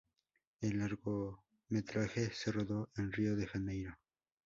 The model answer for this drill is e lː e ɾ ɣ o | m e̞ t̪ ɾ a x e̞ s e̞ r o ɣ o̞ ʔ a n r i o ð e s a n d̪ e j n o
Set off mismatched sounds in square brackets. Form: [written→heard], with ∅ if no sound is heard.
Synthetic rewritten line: e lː [e→a] ɾ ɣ o | m e̞ t̪ ɾ a x e̞ s e̞ r o [ɣ→ð] o̞ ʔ [a→e] n r i o ð e [s→x] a n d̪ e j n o